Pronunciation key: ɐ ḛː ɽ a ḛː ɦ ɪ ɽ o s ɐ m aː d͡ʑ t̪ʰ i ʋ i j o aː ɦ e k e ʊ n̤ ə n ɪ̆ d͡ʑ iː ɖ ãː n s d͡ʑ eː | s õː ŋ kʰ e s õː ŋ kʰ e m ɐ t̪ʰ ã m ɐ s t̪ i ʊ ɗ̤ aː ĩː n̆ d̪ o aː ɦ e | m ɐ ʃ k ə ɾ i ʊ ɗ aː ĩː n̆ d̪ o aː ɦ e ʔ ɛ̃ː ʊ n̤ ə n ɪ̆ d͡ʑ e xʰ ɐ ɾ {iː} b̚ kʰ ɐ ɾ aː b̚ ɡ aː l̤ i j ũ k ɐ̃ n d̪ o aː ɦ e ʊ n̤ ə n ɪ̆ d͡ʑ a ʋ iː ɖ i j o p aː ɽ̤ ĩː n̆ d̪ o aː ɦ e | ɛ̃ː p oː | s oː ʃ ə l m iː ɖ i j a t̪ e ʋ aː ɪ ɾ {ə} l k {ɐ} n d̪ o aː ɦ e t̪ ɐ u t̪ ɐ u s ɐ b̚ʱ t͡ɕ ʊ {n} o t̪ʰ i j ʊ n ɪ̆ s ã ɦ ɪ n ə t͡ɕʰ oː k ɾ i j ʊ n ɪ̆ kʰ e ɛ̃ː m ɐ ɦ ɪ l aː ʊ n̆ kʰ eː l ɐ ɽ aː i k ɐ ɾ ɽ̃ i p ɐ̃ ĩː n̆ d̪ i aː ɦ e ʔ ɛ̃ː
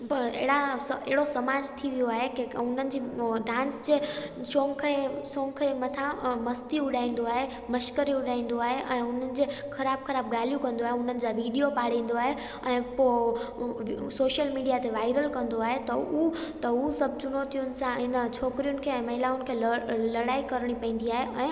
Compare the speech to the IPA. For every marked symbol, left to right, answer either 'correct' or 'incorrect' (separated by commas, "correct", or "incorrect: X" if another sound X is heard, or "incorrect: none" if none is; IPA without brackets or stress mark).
incorrect: aː, correct, incorrect: ɐ̃, correct